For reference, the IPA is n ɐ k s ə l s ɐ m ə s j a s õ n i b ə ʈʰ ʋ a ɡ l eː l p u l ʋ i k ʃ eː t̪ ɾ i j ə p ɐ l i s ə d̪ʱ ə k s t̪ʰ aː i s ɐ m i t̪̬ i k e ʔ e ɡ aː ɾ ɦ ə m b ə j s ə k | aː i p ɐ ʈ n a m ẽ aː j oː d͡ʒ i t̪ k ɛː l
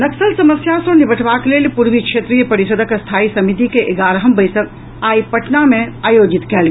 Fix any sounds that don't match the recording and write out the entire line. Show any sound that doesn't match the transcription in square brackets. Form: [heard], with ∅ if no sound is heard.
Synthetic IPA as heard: n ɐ k s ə l s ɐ m ə s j a s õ n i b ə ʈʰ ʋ a [k] l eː l p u [ɾ] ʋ i k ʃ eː t̪ ɾ i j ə p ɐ [ɾ] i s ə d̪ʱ ə k s t̪ʰ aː i s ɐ m i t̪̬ i k e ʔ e ɡ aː ɾ ɦ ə m b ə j s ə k | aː i p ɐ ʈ n a m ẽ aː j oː d͡ʒ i t̪ k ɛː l